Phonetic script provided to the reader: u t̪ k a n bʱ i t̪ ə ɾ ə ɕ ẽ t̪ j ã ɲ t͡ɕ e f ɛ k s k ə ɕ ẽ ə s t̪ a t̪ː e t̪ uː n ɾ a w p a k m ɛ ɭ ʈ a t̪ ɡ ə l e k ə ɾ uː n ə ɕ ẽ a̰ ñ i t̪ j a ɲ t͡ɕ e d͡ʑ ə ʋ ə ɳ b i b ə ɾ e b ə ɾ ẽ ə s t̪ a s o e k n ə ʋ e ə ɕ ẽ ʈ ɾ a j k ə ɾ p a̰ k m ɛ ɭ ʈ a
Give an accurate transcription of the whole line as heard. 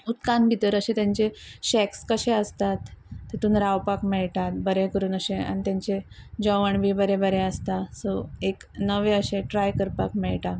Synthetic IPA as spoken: u t̪ k a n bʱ i t̪ ə ɾ ə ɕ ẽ t̪ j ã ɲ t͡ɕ e ɕ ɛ k s k ə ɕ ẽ ə s t̪ a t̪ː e t̪ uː n ɾ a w p a k m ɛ ɭ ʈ a t̪ b ə ɾ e k ə ɾ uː n ə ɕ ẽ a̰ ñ i t̪ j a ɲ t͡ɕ e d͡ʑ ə ʋ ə ɳ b i b ə ɾ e b ə ɾ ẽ ə s t̪ a s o e k n ə ʋ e ə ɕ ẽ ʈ ɾ a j k ə ɾ p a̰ k m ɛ ɭ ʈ a

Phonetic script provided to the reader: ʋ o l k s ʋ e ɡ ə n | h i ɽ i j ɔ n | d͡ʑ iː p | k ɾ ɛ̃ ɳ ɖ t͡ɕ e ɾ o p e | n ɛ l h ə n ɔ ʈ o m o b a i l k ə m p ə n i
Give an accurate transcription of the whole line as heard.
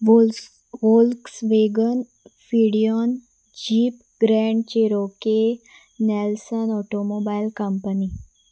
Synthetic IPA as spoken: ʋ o l k s ʋ e ɡ ə n | f i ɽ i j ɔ n | d͡ʑ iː p | ɡ ɾ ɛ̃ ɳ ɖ t͡ɕ e ɾ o k e | n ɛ l s ə n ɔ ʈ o m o b a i l k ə m p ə n i

